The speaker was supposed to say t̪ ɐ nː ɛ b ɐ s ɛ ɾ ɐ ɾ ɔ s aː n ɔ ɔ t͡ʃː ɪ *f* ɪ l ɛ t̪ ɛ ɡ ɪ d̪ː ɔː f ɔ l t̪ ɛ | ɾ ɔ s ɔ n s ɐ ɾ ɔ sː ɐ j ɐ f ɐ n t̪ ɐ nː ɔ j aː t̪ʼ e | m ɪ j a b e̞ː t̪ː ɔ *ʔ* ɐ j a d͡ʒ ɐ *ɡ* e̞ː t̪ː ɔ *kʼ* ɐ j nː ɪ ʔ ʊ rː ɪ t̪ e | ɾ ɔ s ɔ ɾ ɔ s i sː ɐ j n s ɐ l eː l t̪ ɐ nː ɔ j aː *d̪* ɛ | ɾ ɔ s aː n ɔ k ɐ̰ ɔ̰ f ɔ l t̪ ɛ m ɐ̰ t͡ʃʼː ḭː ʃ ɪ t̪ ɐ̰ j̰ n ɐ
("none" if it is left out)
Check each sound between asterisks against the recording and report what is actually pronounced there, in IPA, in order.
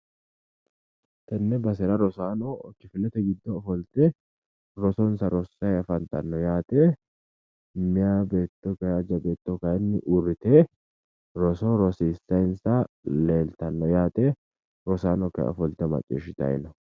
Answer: f, k, b, k, t̪

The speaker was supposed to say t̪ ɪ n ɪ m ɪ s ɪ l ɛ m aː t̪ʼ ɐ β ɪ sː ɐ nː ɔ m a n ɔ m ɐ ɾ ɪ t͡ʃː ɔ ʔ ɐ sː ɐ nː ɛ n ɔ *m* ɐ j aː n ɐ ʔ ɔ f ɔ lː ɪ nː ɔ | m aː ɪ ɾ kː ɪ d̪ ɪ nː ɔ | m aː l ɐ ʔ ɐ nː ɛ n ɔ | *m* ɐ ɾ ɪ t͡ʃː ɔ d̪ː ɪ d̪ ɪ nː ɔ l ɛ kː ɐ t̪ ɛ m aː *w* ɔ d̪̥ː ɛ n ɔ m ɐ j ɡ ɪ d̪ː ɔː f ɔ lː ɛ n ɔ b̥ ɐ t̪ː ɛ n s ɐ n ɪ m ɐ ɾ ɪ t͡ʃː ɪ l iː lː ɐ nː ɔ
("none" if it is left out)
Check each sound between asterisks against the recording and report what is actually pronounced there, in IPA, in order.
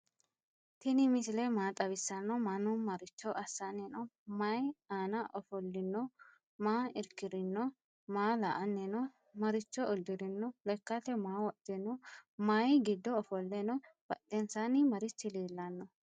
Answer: m, m, w

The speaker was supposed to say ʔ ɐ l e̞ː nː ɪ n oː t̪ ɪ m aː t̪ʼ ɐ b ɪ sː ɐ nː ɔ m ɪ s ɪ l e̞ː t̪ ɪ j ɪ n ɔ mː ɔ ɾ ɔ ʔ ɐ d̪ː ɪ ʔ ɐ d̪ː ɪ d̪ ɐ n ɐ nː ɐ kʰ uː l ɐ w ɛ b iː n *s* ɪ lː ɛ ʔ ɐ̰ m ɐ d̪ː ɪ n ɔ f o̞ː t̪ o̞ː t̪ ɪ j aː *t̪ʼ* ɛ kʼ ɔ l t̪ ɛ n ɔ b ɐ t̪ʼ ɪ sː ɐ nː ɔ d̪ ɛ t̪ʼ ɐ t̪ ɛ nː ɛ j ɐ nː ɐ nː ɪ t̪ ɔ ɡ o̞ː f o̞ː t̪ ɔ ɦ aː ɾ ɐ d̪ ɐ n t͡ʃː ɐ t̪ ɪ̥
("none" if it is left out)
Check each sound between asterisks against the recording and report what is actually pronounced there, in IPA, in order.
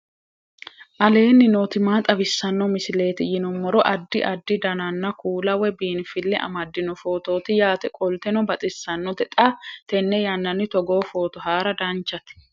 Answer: f, t̪

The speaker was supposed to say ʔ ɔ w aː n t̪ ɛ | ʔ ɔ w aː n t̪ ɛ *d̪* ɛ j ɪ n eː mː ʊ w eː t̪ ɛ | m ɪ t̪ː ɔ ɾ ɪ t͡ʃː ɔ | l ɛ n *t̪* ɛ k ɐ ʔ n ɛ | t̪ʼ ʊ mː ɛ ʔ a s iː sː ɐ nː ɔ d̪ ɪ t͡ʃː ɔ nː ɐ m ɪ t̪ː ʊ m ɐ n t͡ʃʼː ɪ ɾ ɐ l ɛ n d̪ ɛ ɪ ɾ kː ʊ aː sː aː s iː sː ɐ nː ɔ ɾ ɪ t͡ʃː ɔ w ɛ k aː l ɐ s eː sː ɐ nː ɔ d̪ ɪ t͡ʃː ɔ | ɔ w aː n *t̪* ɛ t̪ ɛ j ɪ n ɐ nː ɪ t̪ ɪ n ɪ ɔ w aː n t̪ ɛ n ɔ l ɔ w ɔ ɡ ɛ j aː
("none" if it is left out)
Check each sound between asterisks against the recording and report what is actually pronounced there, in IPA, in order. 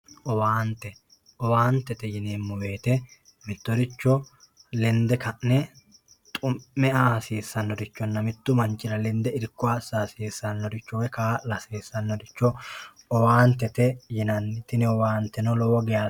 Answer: t̪, d̪, t̪

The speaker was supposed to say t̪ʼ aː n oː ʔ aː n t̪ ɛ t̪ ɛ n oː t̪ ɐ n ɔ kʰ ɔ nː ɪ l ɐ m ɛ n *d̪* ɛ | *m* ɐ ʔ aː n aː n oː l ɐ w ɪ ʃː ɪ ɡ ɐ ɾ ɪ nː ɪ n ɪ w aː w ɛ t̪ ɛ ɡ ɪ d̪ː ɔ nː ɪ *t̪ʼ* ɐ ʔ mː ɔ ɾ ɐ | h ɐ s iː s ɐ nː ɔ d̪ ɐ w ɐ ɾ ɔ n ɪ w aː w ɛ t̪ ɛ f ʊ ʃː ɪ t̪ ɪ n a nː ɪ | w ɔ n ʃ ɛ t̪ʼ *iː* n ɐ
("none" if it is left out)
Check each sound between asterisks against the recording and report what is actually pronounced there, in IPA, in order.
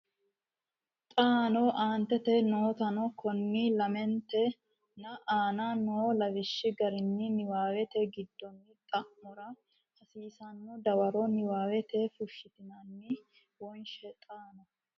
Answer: t̪, n, t̪ʼ, aː

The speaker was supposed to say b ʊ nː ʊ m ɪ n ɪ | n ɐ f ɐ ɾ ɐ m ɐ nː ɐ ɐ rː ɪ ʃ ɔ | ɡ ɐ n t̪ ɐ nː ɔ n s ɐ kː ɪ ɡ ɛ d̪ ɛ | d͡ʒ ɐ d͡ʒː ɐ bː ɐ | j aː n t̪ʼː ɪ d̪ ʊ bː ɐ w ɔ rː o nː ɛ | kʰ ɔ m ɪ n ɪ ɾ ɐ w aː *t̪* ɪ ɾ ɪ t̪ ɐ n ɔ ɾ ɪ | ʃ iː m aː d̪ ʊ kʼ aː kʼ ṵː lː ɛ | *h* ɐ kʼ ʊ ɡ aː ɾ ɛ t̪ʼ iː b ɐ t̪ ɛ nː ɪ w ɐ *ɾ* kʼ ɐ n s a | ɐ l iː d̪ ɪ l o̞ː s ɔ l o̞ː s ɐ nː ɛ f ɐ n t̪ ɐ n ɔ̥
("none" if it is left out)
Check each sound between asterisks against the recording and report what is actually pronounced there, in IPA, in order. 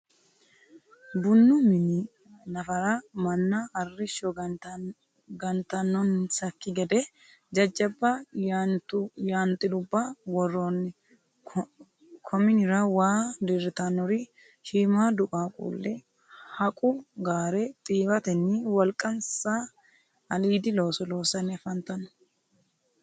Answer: d̪, h, l

